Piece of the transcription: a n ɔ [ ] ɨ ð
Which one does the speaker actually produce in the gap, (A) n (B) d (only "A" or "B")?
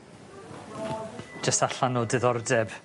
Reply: B